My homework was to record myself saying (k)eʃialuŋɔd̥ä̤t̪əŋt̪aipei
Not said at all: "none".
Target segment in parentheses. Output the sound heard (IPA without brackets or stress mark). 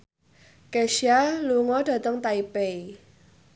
k